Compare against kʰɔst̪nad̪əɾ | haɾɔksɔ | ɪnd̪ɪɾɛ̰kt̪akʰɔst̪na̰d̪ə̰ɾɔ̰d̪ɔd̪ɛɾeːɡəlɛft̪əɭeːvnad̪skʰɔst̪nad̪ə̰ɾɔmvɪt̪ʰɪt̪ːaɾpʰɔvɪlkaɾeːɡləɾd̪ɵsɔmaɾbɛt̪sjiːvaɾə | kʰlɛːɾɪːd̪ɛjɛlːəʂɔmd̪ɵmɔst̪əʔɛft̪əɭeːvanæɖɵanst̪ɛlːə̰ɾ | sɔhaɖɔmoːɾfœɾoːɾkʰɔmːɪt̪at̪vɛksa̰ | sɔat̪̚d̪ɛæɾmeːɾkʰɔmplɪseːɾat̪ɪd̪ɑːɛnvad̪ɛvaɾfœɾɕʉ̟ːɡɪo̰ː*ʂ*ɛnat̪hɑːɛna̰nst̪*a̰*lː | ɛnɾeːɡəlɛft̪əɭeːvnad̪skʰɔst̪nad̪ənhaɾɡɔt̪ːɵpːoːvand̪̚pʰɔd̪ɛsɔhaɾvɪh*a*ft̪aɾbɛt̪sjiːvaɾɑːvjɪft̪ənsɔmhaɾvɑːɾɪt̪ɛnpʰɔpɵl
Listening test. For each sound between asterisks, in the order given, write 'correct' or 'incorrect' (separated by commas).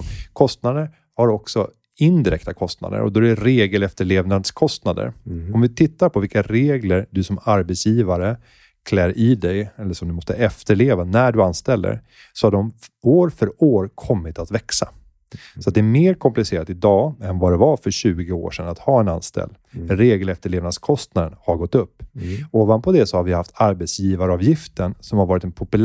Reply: correct, incorrect, correct